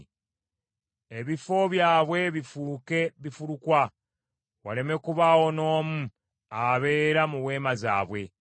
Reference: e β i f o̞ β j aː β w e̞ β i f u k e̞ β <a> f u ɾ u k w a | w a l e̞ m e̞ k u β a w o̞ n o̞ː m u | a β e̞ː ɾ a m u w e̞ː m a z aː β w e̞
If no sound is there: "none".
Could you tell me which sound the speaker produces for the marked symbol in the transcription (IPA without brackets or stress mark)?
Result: i